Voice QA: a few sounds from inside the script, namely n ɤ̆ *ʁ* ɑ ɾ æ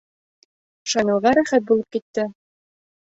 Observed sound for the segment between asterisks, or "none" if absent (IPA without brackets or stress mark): ʁ